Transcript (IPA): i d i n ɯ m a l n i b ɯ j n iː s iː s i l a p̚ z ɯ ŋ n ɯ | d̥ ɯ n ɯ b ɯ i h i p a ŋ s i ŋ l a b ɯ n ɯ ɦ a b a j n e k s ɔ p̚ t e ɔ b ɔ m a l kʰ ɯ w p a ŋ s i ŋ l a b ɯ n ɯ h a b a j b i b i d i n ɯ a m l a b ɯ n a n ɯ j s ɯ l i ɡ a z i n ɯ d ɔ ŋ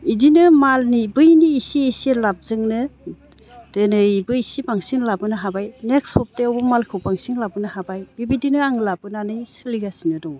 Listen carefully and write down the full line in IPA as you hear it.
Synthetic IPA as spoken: i d i n ɯ m a l n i b ɯ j n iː s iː s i l a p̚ z ɯ ŋ n ɯ | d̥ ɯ n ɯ b ɯ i s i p a ŋ s i ŋ l a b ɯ n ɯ ɦ a b a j n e k s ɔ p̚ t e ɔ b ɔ m a l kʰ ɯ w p a ŋ s i ŋ l a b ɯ n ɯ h a b a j b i b i d i n ɯ a ŋ l a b ɯ n a n ɯ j s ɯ l i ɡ a s i n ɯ d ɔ ŋ